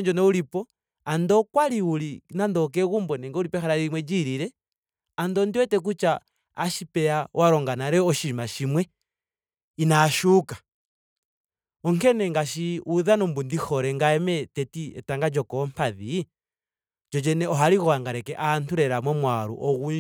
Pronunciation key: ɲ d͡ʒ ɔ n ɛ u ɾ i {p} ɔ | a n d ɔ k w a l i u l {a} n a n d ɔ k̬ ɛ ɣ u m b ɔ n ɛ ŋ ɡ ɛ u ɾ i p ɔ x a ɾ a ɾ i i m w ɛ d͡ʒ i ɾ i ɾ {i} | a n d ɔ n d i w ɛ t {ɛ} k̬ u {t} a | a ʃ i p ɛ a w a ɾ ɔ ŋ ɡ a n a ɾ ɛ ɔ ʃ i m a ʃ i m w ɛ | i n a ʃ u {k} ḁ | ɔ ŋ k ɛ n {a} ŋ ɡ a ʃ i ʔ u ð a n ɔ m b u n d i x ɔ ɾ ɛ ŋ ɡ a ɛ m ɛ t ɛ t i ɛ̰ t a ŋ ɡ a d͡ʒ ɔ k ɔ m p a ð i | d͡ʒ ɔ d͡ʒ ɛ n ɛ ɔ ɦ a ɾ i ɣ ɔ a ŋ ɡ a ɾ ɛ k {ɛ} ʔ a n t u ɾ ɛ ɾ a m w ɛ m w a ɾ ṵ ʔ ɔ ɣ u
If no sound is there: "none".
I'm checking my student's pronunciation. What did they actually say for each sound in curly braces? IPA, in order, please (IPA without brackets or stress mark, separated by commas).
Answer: p, i, ɛ, ɛ, t͡ʃ, k, ɛ, ɛ